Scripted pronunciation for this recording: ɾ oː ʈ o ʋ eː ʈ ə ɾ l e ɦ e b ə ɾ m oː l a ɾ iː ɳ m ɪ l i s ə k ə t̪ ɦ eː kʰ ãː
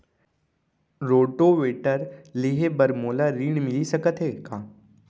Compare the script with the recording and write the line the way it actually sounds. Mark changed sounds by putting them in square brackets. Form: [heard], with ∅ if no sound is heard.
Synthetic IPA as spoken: ɾ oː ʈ o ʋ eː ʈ ə ɾ l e ɦ e b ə ɾ m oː l a ɾ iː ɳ m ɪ l i s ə k ə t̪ ɦ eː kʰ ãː